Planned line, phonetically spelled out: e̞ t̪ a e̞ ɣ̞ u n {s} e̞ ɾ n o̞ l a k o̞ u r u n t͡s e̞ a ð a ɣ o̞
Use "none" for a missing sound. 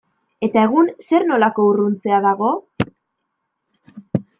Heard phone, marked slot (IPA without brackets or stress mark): s